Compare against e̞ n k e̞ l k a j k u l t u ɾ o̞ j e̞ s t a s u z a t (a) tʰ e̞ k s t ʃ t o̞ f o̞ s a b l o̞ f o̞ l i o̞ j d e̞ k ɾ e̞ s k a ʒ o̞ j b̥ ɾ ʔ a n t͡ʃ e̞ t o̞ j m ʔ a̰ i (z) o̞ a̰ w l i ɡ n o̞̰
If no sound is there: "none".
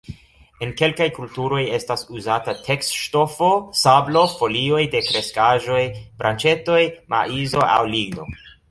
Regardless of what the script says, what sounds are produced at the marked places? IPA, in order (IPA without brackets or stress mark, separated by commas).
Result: a, z